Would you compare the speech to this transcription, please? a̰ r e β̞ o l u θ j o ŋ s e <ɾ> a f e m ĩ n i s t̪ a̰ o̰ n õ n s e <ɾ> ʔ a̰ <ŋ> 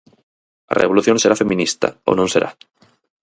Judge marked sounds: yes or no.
yes, yes, no

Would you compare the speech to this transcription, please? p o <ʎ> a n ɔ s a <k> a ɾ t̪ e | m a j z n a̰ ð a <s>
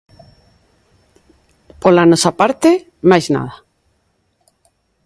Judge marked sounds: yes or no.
no, no, no

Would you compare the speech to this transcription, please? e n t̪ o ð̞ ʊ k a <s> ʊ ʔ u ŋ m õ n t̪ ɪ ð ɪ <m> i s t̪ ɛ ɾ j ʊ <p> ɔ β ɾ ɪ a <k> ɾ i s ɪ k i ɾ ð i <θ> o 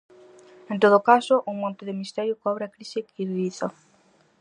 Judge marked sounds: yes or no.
yes, yes, no, yes, yes

